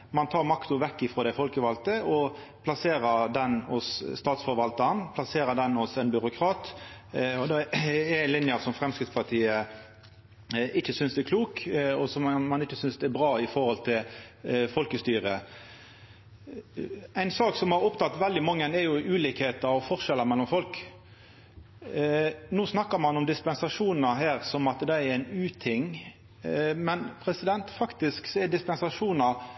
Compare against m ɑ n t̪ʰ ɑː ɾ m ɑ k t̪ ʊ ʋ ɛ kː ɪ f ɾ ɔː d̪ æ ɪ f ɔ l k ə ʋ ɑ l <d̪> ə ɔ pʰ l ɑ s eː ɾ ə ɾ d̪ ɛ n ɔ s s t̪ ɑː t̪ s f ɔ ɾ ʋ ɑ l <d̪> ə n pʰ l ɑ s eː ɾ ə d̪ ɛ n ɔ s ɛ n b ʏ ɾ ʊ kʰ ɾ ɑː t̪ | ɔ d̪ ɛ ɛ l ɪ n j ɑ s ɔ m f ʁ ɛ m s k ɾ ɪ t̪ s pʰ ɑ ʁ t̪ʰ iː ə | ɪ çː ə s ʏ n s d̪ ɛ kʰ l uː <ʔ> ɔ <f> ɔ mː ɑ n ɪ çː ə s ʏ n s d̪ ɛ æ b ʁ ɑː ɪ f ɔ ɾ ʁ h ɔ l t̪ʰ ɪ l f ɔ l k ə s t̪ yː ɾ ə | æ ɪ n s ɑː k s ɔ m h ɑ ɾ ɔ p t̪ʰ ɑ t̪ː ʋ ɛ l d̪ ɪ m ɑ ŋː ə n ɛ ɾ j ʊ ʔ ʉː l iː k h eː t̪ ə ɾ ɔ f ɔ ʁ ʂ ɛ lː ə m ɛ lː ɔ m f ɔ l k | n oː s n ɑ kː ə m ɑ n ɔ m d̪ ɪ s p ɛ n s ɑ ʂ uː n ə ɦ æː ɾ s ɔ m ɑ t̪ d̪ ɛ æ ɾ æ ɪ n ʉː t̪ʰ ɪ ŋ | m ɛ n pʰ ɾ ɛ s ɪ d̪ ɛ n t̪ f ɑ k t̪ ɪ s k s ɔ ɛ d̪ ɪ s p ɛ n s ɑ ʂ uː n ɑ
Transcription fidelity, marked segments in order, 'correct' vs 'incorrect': incorrect: t̪, incorrect: t̪, incorrect: k, incorrect: s

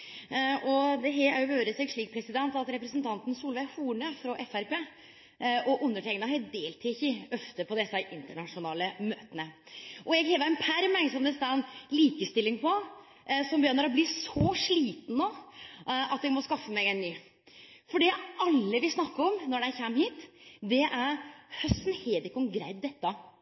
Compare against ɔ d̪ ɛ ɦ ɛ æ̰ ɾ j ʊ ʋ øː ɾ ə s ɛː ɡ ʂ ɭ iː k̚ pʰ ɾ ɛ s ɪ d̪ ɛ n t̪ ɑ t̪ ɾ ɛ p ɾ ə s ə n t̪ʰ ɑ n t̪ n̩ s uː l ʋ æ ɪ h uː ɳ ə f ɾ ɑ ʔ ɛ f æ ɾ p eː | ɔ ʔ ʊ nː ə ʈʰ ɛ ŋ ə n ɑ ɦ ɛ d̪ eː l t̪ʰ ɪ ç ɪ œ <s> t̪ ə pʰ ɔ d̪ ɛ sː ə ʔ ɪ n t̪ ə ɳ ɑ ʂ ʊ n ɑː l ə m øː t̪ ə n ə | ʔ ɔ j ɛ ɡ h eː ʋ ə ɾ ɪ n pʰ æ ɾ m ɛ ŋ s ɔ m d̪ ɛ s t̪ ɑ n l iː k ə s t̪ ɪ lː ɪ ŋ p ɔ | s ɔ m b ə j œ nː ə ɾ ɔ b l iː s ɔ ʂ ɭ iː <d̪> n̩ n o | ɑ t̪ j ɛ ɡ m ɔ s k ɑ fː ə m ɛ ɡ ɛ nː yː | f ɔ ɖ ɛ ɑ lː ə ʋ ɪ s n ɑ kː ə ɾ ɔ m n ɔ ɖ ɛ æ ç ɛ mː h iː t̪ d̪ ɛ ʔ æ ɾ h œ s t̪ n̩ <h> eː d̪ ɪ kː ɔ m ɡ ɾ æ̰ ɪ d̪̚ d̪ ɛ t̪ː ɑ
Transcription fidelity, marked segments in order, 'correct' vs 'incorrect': incorrect: f, incorrect: t̪, correct

